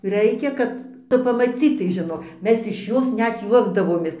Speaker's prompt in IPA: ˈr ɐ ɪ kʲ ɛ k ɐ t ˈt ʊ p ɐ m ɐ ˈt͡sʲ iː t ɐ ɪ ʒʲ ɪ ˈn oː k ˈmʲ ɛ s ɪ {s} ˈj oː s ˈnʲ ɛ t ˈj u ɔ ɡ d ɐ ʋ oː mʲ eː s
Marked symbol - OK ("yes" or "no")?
no